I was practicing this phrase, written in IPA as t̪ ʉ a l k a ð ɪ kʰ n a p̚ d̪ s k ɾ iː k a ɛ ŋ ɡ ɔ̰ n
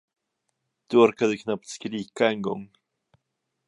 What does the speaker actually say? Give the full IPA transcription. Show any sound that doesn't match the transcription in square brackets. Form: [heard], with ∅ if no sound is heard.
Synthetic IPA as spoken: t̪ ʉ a [ɾ] k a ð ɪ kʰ n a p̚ [t̪] s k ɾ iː k a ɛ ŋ ɡ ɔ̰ [ŋ]